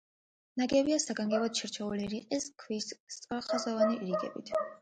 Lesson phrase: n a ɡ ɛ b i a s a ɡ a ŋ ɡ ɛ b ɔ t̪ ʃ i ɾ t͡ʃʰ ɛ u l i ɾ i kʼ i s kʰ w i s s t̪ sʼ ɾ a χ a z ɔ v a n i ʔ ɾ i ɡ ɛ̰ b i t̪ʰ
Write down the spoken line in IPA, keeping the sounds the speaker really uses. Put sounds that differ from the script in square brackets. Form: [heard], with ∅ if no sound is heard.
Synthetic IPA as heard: n a ɡ ɛ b i a s a ɡ a ŋ ɡ ɛ b ɔ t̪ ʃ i ɾ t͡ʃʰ ɛ u l i ɾ i [qʼ] i s kʰ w i s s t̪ sʼ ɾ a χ a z ɔ v a n i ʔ ɾ i ɡ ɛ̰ b i t̪ʰ

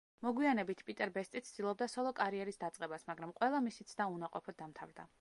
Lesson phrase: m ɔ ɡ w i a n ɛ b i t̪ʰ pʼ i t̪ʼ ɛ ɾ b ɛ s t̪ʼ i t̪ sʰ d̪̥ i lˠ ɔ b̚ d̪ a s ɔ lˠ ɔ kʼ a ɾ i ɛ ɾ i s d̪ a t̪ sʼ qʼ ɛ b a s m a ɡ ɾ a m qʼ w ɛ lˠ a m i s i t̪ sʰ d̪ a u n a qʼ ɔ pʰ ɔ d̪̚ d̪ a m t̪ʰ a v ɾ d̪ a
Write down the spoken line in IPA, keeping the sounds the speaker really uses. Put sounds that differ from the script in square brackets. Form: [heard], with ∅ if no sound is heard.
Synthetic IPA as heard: m ɔ ɡ w i a n ɛ b i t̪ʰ pʼ i t̪ʼ ɛ ɾ b ɛ s t̪ʼ i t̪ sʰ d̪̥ i lˠ ɔ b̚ d̪ a s ɔ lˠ ɔ kʼ a ɾ i ɛ ɾ i s d̪ a t̪ sʼ qʼ ɛ b a s m a ɡ ɾ a m qʼ w ɛ lˠ a m i s i t̪ sʰ d̪ a u n a qʼ ɔ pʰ ɔ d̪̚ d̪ a m t̪ʰ a v ɾ d̪ a

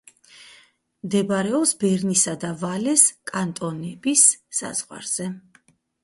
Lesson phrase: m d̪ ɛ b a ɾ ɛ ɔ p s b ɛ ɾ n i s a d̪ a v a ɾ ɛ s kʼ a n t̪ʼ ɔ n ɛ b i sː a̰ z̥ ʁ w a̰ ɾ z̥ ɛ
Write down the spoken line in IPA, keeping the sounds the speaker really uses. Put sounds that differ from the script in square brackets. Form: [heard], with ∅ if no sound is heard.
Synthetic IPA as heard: m d̪ ɛ b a ɾ ɛ ɔ p s b ɛ ɾ n i s a d̪ a v a [l] ɛ s kʼ a n t̪ʼ ɔ n ɛ b i sː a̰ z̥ ʁ w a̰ ɾ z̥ ɛ

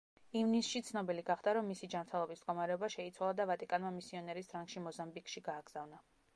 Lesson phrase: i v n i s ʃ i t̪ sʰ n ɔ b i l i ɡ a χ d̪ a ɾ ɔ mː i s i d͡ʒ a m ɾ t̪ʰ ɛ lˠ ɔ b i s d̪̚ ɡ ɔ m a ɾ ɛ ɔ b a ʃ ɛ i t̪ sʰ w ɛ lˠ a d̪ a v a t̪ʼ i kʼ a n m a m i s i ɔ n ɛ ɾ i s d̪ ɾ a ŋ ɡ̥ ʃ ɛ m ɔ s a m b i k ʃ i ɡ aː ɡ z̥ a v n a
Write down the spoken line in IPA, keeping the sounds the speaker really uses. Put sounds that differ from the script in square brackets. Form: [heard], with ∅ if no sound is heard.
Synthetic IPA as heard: i v n i s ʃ i t̪ sʰ n ɔ b i l i ɡ a χ d̪ a ɾ ɔ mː i s i d͡ʒ a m ɾ t̪ʰ ɛ lˠ ɔ b i s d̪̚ ɡ ɔ m a ɾ ɛ ɔ b a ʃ ɛ i t̪ sʰ w [a] lˠ a d̪ a v a t̪ʼ i kʼ a n m a m i s i ɔ n ɛ ɾ i s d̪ ɾ a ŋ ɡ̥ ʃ [i] m ɔ [z] a m b i k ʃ i ɡ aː ɡ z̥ a v n a

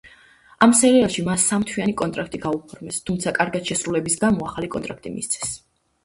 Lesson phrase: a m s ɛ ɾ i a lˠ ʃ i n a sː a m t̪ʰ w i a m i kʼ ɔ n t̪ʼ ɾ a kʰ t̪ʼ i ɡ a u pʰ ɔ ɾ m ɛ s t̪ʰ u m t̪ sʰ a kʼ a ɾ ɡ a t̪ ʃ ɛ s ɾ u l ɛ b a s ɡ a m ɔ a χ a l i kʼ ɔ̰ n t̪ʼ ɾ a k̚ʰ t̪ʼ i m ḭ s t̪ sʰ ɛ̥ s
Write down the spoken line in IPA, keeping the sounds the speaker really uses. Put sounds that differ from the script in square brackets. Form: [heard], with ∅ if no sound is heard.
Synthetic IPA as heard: a m s ɛ ɾ i a lˠ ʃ i [m] a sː a m t̪ʰ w i a [n] i kʼ ɔ n t̪ʼ ɾ a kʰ t̪ʼ i ɡ a u pʰ ɔ ɾ m ɛ s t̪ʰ u m t̪ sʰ a kʼ a ɾ ɡ a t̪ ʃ ɛ s ɾ u l ɛ b [i] s ɡ a m ɔ a χ a l i kʼ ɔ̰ n t̪ʼ ɾ a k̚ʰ t̪ʼ i m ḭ s t̪ sʰ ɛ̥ s

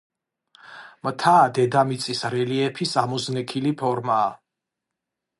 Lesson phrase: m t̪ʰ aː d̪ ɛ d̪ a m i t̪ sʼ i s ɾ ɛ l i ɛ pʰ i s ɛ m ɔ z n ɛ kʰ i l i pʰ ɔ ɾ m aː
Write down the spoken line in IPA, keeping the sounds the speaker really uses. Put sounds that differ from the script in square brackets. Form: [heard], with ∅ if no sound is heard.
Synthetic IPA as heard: m t̪ʰ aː d̪ ɛ d̪ a m i t̪ sʼ i s ɾ ɛ l i ɛ pʰ i s [a] m ɔ z n ɛ kʰ i l i pʰ ɔ ɾ m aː

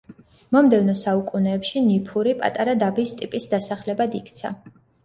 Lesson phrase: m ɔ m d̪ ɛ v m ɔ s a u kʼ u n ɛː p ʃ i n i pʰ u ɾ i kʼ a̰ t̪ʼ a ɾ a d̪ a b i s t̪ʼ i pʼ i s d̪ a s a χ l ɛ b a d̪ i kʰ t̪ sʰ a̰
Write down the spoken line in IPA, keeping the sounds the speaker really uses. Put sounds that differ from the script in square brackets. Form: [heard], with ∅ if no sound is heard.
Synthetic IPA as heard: m ɔ m d̪ ɛ v [n] ɔ s a u kʼ u n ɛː p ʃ i n i pʰ u ɾ i [pʼ] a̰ t̪ʼ a ɾ a d̪ a b i s t̪ʼ i pʼ i s d̪ a s a χ l ɛ b a d̪ i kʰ t̪ sʰ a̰

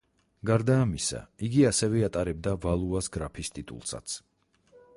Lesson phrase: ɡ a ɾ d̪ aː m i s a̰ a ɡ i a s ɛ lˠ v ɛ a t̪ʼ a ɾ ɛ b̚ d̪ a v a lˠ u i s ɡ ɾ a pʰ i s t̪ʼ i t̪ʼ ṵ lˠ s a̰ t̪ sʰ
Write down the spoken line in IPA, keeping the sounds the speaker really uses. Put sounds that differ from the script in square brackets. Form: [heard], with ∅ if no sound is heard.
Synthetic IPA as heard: ɡ a ɾ d̪ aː m i s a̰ [i] ɡ i a s ɛ [∅] v ɛ a t̪ʼ a ɾ ɛ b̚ d̪ a v a lˠ u [a] s ɡ ɾ a pʰ i s t̪ʼ i t̪ʼ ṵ lˠ s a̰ t̪ sʰ

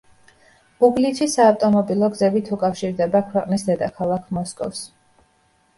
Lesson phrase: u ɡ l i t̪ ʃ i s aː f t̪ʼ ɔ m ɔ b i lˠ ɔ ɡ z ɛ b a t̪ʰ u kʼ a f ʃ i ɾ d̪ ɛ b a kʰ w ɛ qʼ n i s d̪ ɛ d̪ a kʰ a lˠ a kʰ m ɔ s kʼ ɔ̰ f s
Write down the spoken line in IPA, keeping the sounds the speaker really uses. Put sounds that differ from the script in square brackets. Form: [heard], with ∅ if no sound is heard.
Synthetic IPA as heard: u ɡ l i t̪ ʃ i s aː f t̪ʼ ɔ m ɔ b i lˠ ɔ ɡ z ɛ b [i] t̪ʰ u kʼ a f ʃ i ɾ d̪ ɛ b a kʰ w ɛ qʼ n i s d̪ ɛ d̪ a kʰ a lˠ a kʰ m ɔ s kʼ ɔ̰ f s

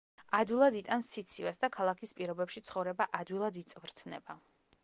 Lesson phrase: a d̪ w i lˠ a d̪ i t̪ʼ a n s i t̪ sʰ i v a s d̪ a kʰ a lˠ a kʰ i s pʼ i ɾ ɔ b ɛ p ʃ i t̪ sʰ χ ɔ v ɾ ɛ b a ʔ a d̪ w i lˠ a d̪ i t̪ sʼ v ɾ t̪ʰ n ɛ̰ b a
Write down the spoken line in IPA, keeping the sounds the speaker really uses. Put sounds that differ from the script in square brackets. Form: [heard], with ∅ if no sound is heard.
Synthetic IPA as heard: a d̪ w i lˠ a d̪ i t̪ʼ a n s i t̪ sʰ i v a s d̪ a kʰ a lˠ a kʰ i s pʼ i ɾ ɔ b ɛ p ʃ i t̪ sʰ χ ɔ v ɾ ɛ b a ʔ a d̪ w i lˠ a d̪ i t̪ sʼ v ɾ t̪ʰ n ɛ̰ b a

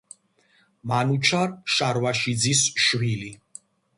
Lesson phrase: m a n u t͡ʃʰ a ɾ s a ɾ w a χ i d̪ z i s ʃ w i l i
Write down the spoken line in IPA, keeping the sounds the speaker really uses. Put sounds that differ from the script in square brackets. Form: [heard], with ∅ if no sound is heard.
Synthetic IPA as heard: m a n u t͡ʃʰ a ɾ [ʃ] a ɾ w a [ʃ] i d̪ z i s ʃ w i l i

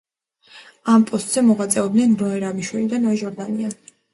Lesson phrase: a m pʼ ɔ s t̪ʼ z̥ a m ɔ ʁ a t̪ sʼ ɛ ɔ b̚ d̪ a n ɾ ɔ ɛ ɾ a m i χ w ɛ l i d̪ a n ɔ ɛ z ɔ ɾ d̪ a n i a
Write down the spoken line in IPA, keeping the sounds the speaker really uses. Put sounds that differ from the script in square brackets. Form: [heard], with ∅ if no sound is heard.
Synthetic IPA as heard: a m pʼ ɔ s t̪ʼ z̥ [ɛ] m ɔ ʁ a t̪ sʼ ɛ ɔ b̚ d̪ [ɛ] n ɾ ɔ ɛ ɾ a m i [ʃ] w ɛ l i d̪ a n ɔ ɛ [ʒ] ɔ ɾ d̪ a n i a

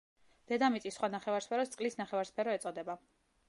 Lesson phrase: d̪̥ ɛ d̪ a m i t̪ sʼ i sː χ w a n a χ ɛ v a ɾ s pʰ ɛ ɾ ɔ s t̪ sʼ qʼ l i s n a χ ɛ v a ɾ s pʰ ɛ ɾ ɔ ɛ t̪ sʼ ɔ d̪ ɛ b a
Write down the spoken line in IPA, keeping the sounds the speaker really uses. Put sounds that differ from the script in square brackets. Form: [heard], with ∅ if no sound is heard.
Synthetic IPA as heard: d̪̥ ɛ d̪ a m i t̪ sʼ i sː χ w a n a χ ɛ v a ɾ s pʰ ɛ ɾ ɔ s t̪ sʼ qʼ l i s n a χ ɛ v a ɾ s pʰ ɛ ɾ ɔ ɛ t̪ sʼ ɔ d̪ ɛ b a

